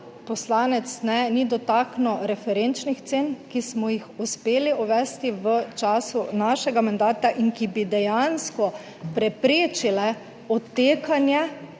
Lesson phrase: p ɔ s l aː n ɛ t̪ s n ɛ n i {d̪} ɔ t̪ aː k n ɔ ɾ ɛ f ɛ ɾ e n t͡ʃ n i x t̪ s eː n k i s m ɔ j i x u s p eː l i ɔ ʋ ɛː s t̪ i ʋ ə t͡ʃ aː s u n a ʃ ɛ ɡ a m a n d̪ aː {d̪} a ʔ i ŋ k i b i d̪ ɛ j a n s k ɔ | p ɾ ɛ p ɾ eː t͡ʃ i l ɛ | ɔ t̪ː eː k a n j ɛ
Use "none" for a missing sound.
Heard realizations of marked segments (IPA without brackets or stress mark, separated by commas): d̪, t̪